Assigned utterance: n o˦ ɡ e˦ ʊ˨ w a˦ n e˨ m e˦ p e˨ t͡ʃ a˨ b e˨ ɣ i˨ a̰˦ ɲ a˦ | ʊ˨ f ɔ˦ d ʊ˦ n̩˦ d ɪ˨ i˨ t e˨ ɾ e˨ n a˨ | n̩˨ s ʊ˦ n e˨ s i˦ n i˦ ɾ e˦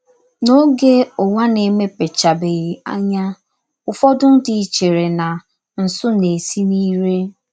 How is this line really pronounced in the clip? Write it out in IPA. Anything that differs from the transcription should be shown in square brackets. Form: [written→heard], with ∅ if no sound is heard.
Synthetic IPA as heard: n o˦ ɡ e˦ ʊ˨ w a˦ n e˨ m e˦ p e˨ t͡ʃ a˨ b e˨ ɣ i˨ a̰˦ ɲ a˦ | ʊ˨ f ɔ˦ d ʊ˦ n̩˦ d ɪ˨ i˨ [t→t͡ʃ] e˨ ɾ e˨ n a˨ | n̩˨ s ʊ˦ n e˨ s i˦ n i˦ ɾ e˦